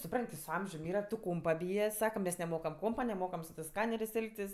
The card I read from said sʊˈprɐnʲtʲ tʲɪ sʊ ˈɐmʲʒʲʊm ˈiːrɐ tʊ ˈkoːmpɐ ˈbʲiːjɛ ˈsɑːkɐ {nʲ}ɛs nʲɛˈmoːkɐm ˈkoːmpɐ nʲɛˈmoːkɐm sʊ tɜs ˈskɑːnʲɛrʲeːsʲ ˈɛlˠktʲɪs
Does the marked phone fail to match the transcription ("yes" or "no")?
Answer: yes